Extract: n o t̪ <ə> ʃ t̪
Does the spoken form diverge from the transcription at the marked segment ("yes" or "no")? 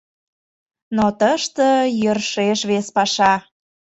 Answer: no